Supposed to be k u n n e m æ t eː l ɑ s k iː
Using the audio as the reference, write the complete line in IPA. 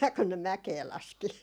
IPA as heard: k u n n e m æ k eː l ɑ s k i

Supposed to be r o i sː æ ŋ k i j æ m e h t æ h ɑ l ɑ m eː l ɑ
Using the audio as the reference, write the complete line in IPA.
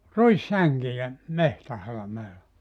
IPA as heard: r u i sː æ ŋ k i j æ m e h t æ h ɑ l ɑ m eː l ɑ

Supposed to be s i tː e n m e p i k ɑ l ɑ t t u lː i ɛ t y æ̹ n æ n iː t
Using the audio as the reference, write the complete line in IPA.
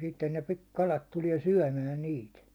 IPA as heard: s i tː e n n e p i k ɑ l ɑ t t u l i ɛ s y æ̹ m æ n iː t

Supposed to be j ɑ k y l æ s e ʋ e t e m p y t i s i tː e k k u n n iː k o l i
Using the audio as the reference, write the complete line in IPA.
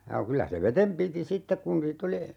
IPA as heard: j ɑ k y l æ s e ʋ e t e m p i t i s i tː e k k u n n iː t o l i

